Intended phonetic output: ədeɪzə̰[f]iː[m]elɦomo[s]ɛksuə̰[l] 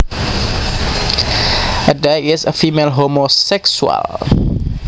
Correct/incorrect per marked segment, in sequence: correct, correct, correct, correct

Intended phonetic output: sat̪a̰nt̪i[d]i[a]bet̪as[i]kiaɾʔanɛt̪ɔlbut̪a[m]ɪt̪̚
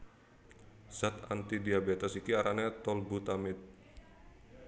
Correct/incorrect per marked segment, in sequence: correct, correct, correct, correct

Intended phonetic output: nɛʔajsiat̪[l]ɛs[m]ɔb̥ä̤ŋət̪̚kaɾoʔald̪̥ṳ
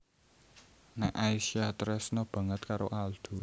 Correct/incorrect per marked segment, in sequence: incorrect: ɾ, incorrect: n

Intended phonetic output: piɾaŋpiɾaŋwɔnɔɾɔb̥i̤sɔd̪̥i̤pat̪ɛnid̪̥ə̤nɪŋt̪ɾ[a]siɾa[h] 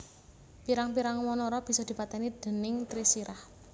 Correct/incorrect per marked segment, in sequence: incorrect: i, correct

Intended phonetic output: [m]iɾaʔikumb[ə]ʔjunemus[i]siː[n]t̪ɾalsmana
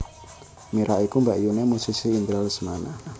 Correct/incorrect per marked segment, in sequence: correct, incorrect: a, correct, correct

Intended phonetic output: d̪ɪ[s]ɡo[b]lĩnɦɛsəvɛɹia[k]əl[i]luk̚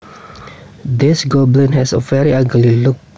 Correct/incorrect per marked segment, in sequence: correct, correct, incorrect: ɡ, correct

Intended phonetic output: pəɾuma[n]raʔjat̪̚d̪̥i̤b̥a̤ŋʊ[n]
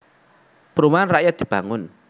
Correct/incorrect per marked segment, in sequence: correct, correct

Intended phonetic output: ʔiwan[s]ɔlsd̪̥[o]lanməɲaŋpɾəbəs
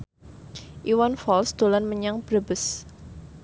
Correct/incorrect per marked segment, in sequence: incorrect: f, correct

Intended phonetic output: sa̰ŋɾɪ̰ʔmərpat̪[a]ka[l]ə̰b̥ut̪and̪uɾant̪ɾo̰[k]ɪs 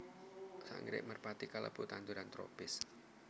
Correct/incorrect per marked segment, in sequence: incorrect: i, correct, incorrect: p

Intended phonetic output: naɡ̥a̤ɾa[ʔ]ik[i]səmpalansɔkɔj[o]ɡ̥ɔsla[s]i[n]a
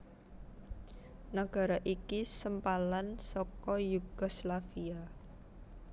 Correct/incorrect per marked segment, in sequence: correct, correct, incorrect: u, incorrect: f, incorrect: none

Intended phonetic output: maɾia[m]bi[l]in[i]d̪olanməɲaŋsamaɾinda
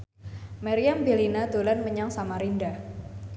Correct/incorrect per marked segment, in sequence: correct, correct, incorrect: a

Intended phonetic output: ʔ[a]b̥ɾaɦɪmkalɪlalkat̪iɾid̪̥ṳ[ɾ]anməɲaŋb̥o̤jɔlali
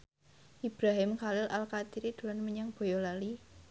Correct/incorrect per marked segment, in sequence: incorrect: i, incorrect: l

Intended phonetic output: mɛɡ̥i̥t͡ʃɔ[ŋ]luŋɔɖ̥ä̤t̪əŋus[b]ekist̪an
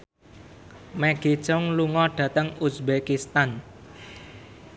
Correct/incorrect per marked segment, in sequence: correct, correct

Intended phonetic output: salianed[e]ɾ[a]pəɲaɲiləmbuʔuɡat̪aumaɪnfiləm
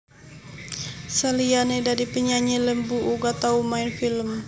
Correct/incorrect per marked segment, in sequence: incorrect: a, incorrect: i

